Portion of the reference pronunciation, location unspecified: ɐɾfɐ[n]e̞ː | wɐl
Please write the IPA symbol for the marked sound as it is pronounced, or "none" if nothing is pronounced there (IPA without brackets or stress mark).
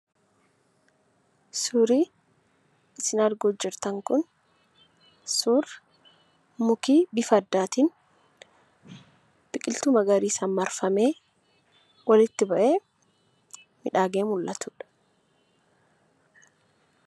m